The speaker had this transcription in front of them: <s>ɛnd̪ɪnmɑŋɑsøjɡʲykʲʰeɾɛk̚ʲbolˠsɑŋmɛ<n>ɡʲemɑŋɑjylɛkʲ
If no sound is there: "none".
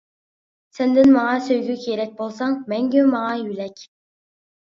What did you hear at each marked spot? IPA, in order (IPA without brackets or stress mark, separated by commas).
s, ŋ